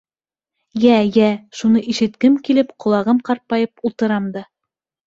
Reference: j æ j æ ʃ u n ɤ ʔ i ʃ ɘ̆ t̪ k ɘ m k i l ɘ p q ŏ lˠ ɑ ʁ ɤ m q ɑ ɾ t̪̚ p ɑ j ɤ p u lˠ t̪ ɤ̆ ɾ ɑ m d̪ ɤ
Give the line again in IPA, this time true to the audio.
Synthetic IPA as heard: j æ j æ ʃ u n ɤ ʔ i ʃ ɘ̆ t̪ k ɘ m k i l ɘ p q ŏ lˠ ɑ ʁ ɤ m q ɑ ɾ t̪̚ p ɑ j ɤ p u lˠ t̪ ɤ̆ ɾ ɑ m d̪ ɤ